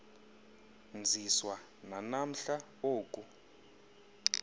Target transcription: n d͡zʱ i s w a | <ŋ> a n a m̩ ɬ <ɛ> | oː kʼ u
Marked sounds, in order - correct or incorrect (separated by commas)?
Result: incorrect, incorrect